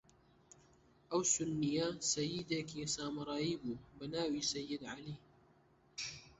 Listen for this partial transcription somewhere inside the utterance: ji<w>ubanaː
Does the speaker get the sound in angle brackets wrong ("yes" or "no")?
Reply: yes